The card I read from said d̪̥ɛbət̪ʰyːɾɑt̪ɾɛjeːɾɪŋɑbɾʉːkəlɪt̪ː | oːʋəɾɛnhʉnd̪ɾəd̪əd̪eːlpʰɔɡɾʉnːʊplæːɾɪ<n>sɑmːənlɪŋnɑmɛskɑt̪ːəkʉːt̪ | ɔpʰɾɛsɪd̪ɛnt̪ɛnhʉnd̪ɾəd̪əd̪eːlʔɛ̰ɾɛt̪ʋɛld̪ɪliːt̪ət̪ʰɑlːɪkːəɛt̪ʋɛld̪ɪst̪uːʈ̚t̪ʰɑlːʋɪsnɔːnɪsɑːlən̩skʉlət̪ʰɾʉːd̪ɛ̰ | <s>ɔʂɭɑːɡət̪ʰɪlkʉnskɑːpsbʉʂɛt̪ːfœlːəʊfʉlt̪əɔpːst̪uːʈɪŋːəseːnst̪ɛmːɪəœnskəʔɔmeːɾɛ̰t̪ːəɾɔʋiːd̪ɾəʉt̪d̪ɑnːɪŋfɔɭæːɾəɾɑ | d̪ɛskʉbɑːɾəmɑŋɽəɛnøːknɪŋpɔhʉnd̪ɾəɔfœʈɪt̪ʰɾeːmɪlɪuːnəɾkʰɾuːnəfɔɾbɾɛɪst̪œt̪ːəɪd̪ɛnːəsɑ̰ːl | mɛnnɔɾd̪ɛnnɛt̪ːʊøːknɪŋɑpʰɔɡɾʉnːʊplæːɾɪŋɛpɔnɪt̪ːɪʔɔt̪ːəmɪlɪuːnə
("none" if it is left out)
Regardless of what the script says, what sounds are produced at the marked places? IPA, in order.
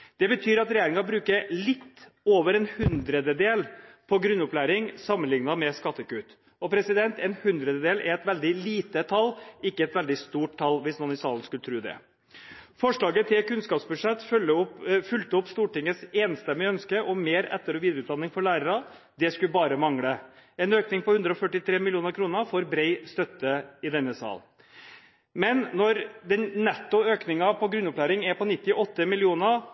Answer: ŋ, f

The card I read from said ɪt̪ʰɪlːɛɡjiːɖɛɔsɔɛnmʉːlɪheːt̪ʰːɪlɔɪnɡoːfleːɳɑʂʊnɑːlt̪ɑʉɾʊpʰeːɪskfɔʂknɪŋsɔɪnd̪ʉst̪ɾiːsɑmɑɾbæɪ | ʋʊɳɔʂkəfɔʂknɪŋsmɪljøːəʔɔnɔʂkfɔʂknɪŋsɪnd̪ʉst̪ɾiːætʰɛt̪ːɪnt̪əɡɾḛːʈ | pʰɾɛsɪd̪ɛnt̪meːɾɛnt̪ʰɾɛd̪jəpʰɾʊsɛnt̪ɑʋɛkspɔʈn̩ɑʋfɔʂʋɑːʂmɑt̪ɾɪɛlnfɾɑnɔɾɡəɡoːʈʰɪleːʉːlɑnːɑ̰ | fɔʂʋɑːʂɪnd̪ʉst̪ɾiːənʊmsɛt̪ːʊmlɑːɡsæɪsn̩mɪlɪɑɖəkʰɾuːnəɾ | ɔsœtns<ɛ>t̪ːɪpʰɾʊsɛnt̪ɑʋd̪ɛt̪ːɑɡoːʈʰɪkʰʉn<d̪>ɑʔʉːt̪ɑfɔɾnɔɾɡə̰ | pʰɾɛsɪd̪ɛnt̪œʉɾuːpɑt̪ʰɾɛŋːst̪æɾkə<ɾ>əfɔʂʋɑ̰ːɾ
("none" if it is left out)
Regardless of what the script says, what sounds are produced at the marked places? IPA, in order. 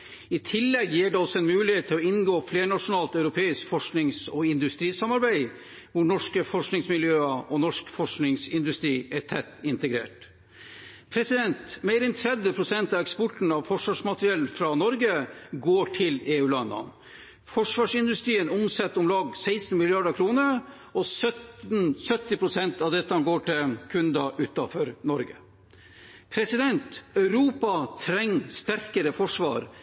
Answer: œ, d̪, ɾ

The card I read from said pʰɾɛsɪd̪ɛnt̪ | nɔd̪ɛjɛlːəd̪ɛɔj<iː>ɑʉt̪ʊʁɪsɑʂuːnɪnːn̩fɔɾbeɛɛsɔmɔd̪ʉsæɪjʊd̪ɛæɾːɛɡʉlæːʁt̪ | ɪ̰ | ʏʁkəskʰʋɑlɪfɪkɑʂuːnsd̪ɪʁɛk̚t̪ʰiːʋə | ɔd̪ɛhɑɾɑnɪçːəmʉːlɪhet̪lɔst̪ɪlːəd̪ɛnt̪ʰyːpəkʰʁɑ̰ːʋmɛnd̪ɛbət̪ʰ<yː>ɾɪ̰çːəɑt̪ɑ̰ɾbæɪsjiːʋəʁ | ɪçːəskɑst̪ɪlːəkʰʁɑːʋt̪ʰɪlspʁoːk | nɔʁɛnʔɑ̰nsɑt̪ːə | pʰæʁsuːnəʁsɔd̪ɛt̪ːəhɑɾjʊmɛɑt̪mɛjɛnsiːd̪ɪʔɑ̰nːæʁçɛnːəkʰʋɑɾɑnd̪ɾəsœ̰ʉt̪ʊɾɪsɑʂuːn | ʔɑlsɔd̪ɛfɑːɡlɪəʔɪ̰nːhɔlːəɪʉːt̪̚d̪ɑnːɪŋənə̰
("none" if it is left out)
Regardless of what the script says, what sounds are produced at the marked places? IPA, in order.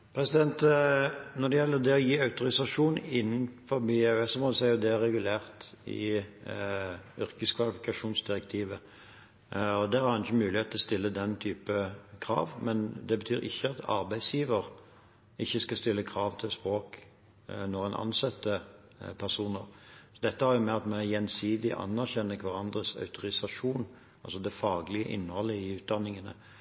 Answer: iː, yː

